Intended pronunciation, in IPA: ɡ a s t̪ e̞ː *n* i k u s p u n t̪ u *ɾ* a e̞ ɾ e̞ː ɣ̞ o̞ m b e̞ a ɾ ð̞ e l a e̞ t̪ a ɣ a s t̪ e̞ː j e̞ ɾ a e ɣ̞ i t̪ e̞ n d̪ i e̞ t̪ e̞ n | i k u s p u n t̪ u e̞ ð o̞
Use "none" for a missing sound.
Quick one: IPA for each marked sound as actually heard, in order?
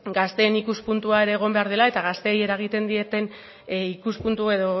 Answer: n, none

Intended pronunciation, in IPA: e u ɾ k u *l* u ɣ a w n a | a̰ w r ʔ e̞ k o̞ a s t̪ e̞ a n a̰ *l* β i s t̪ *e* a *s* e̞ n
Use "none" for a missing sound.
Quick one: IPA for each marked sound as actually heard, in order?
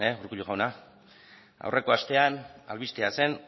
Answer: ʎ, l, e, s

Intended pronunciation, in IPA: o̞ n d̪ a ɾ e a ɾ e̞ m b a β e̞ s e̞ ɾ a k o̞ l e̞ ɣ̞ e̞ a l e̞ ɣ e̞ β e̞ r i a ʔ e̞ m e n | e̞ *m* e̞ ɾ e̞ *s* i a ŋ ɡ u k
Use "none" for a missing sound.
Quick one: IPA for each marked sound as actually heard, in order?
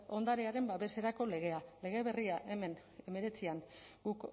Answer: m, t͡s

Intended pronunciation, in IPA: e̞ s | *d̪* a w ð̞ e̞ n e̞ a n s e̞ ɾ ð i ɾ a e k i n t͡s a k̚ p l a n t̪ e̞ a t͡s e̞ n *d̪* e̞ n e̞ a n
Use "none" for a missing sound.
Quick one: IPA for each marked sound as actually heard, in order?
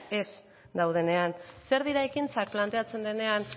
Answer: d̪, d̪

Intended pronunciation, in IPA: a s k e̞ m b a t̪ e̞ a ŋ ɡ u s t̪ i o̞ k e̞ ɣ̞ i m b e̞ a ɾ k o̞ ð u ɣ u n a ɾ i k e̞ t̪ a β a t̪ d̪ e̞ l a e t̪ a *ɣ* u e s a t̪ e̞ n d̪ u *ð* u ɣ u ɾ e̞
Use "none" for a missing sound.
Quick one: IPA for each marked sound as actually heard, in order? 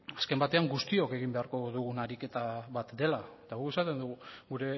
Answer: ɣ, ɣ

